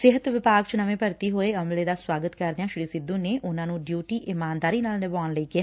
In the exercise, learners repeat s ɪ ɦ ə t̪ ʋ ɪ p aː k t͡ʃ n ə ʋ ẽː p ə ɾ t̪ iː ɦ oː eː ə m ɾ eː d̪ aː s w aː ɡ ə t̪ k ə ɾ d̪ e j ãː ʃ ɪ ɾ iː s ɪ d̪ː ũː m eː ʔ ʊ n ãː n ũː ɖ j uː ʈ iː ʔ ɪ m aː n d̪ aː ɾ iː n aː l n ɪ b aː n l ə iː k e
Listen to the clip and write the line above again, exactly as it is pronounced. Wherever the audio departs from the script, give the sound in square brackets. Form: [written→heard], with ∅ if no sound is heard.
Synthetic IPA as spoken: s ɪ ɦ ə t̪ ʋ ɪ p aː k t͡ʃ n ə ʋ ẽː p ə ɾ t̪ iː ɦ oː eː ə m [ɾ→l] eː d̪ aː s w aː ɡ ə t̪ k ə ɾ d̪ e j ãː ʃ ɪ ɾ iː s ɪ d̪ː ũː [m→n] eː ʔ ʊ n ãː n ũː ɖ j uː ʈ iː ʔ ɪ m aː n d̪ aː ɾ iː n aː l n ɪ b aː n l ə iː k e